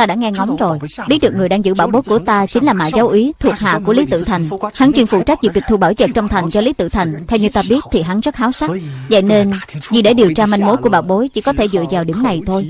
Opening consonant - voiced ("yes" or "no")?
no